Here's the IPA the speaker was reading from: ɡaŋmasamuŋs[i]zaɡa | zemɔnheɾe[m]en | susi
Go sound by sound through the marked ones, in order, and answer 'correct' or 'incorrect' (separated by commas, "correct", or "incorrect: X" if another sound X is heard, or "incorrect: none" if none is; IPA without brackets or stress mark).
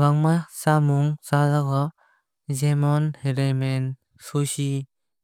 incorrect: a, correct